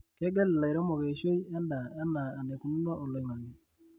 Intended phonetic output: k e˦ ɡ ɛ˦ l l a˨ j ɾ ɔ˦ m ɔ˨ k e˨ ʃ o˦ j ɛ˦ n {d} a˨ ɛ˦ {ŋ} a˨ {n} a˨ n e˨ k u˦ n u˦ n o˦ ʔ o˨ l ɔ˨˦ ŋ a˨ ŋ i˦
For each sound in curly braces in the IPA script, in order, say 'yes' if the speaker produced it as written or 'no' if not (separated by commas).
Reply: yes, no, no